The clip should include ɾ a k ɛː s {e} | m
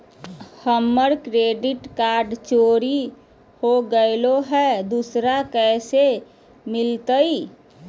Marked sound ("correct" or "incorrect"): correct